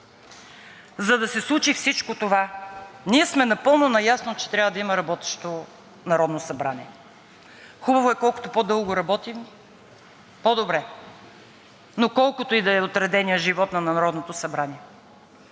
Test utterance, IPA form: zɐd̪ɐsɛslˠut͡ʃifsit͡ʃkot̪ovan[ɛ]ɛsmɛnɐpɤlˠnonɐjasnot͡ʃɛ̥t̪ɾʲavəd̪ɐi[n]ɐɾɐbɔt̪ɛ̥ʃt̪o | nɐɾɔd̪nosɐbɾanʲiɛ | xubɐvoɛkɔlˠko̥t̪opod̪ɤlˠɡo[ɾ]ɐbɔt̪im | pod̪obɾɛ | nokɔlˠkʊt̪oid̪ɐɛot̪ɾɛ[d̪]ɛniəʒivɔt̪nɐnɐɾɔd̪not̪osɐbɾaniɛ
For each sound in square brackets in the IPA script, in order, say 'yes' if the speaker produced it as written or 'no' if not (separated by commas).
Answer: no, no, yes, yes